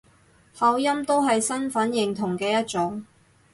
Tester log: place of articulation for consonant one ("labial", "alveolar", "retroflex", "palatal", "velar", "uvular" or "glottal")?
glottal